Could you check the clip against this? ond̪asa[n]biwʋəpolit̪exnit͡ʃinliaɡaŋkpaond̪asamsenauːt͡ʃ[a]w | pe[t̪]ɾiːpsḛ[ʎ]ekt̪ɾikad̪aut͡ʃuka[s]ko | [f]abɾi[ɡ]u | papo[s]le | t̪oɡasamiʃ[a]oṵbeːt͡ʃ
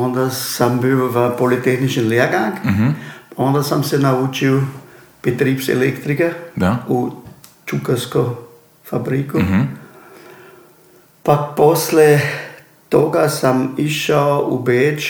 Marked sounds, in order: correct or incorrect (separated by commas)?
incorrect, incorrect, correct, incorrect, correct, correct, incorrect, correct, correct